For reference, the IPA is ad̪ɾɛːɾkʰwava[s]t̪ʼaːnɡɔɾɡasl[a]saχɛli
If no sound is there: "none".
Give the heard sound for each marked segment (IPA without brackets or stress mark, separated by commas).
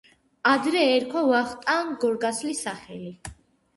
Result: χ, i